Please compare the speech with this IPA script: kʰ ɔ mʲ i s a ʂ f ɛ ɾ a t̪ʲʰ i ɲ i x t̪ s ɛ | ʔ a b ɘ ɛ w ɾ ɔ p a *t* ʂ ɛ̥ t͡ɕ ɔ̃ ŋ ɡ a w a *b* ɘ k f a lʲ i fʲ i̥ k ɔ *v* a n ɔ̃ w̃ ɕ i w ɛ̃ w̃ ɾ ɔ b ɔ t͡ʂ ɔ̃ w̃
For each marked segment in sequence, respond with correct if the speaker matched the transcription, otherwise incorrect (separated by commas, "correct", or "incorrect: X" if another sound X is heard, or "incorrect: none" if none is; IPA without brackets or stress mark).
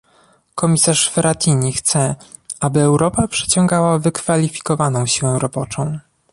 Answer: incorrect: p, incorrect: v, correct